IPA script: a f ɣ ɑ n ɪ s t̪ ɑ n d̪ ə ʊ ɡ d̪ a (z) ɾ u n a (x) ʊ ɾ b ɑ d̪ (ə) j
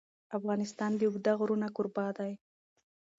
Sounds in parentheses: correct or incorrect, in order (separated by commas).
incorrect, incorrect, incorrect